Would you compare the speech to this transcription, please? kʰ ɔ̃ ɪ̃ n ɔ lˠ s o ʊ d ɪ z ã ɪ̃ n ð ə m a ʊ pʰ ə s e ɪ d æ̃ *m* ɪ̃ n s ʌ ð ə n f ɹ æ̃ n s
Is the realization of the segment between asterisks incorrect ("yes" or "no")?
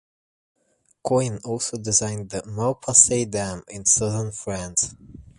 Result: no